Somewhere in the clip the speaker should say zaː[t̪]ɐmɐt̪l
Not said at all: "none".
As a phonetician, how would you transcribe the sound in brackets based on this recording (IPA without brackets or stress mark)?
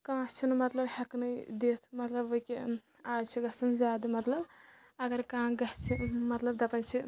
d̪